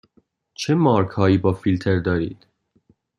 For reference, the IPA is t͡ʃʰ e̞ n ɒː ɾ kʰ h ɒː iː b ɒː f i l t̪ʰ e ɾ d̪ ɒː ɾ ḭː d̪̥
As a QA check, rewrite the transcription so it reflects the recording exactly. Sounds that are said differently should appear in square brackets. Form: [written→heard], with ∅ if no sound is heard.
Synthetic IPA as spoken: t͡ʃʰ e̞ [n→m] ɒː ɾ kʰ h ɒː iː b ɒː f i l t̪ʰ e ɾ d̪ ɒː ɾ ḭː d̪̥